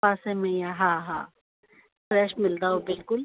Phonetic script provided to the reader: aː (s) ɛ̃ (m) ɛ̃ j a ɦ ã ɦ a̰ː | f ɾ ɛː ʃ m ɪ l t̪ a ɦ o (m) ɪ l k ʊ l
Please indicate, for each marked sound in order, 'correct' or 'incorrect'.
correct, correct, incorrect: b

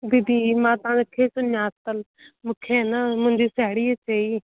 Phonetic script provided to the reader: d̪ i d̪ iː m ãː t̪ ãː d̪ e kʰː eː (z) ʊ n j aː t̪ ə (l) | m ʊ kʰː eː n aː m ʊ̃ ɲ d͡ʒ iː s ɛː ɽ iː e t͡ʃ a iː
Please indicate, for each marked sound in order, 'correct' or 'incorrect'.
incorrect: s, correct

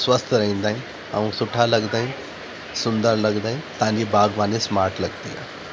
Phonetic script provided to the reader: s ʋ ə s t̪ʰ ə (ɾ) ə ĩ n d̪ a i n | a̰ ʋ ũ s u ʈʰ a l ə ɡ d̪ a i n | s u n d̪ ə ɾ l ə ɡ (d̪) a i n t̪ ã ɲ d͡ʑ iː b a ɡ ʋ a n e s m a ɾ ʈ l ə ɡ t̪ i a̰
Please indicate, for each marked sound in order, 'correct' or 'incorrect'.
correct, correct

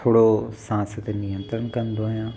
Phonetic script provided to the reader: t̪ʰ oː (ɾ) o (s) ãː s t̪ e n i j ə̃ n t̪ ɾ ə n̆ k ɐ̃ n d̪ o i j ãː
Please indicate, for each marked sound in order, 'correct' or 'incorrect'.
incorrect: ɽ, correct

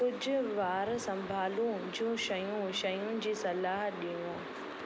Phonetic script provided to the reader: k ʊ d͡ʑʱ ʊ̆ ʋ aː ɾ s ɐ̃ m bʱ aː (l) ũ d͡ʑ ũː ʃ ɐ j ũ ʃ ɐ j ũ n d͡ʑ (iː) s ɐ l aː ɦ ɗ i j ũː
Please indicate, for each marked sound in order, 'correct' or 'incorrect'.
correct, correct

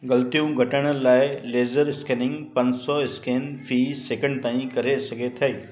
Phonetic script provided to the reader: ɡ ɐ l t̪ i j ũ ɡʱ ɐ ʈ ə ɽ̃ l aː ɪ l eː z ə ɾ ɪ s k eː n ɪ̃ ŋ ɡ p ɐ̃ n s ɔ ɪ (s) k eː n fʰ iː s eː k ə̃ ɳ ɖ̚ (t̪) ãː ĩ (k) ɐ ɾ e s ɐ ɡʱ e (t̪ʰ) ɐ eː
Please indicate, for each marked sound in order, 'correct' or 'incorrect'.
correct, correct, correct, correct

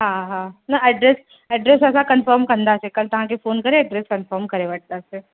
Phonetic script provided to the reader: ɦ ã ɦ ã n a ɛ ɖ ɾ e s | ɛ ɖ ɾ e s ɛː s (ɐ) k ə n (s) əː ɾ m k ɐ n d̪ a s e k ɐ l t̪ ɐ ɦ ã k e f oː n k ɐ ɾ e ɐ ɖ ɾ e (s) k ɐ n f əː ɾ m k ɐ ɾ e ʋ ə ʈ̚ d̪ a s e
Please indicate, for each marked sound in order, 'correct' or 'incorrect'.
incorrect: a, incorrect: f, correct

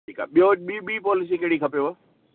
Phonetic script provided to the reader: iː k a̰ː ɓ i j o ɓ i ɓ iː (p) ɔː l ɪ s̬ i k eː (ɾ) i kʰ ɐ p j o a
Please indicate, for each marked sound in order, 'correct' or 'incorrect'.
correct, incorrect: ɽ

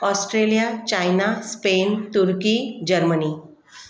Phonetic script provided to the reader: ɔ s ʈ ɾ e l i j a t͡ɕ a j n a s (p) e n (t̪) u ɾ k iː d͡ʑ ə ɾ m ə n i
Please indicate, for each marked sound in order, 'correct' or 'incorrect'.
correct, correct

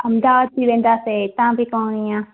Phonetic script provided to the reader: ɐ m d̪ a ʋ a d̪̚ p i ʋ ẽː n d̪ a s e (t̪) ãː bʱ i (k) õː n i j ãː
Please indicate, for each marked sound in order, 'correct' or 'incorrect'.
correct, correct

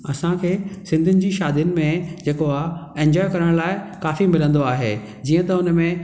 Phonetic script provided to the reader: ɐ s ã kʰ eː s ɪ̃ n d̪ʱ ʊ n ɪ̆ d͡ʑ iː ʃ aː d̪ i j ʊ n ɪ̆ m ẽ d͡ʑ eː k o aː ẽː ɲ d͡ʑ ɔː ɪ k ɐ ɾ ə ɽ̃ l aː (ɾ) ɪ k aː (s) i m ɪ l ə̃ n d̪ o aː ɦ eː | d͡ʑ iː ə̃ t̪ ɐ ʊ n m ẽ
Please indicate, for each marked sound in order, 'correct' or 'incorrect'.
incorrect: none, incorrect: f

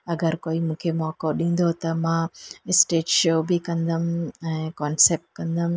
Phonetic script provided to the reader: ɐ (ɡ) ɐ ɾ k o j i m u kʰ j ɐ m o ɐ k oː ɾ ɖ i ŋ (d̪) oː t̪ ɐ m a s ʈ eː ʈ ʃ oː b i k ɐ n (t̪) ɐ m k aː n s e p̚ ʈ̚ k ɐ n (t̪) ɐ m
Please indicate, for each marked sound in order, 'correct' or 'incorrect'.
correct, correct, incorrect: d̪, incorrect: d̪

